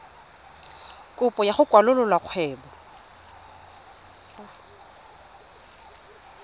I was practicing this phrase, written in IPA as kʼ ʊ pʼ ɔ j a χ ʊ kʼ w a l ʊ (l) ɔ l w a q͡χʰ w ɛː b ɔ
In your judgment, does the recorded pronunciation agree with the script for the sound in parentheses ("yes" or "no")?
yes